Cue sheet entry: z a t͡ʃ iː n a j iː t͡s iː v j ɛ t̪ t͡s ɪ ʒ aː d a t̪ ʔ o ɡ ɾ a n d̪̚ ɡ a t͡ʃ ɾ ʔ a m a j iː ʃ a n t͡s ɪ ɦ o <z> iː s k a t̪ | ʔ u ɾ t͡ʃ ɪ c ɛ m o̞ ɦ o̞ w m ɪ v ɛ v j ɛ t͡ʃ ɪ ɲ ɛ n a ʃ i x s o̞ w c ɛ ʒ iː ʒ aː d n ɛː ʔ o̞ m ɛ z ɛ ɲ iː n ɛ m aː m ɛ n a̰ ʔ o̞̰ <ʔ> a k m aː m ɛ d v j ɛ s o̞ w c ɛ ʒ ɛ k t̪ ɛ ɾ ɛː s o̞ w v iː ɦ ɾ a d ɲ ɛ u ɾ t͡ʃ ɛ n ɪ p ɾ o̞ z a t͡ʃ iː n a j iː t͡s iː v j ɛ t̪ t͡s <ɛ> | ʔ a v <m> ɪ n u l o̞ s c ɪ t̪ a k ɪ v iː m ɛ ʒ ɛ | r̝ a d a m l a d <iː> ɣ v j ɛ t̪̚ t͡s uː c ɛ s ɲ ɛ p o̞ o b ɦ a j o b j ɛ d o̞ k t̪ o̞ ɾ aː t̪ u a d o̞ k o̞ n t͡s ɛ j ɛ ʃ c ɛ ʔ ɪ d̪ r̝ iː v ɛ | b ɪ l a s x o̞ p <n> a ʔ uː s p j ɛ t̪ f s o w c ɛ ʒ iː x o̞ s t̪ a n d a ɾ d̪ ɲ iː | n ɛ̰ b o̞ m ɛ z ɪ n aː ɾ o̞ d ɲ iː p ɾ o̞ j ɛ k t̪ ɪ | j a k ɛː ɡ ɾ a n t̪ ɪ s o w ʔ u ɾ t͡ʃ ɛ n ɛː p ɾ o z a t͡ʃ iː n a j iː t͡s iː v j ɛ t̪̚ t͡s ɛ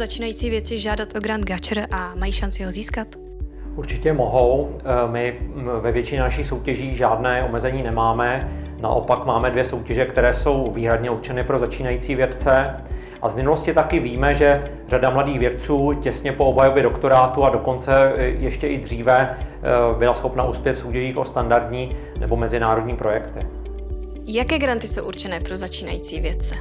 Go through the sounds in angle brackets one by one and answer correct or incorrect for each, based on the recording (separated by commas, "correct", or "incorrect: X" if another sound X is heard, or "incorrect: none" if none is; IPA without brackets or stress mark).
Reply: correct, incorrect: p, correct, correct, correct, correct